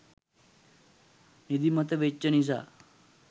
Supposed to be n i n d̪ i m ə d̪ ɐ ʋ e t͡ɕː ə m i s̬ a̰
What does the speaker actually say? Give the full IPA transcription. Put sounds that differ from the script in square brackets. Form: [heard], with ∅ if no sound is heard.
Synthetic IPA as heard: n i [∅] d̪ i m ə [t̪] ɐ ʋ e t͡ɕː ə [n] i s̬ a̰